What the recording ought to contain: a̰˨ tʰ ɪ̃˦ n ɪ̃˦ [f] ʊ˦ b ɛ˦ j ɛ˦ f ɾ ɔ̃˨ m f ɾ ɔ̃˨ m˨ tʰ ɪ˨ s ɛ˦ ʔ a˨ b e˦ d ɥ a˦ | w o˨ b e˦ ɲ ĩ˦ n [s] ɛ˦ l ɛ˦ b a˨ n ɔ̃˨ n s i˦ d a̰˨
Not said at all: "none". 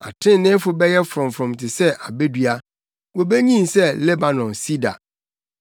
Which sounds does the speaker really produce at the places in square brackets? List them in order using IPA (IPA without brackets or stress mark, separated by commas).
f, s